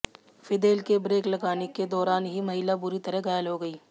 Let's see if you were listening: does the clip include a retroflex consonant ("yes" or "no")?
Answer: no